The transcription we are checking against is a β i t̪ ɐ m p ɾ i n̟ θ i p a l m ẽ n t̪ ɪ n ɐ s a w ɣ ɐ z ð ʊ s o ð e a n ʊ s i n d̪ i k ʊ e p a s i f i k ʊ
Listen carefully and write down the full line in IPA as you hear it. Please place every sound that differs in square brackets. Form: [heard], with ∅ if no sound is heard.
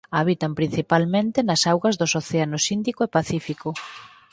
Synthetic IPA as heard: a β i t̪ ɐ m p ɾ i n̟ θ i p a l m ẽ n t̪ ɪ n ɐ s a w ɣ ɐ z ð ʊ s o [θ] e a n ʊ s i n d̪ i k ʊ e p a [θ] i f i k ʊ